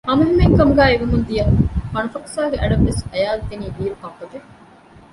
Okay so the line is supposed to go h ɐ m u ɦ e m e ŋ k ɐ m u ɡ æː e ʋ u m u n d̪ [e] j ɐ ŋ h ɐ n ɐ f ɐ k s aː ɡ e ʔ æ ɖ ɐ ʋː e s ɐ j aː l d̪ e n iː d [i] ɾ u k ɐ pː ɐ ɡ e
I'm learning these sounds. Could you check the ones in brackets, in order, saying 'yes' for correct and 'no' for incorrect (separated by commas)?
no, no